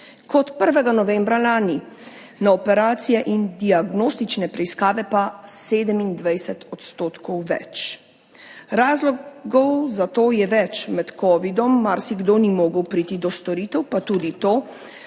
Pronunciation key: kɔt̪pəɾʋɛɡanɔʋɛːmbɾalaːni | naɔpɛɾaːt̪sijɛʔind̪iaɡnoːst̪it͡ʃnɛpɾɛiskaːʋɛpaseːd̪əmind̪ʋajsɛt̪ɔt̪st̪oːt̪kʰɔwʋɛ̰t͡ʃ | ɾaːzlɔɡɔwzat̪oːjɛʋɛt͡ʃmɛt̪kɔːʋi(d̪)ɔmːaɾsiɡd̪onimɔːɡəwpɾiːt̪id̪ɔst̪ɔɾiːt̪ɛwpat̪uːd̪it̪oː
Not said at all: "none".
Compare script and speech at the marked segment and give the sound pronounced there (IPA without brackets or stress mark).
d̪